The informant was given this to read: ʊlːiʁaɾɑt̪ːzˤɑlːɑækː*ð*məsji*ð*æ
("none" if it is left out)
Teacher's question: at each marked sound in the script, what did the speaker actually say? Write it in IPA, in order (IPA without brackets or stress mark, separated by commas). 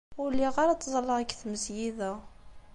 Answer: θ, ð